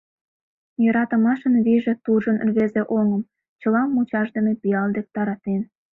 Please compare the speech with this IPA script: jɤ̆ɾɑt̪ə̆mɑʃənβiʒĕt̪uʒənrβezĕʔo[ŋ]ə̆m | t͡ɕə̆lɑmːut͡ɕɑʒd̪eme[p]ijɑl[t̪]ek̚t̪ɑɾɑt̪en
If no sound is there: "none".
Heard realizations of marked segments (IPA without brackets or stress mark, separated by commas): ŋ, p, d̪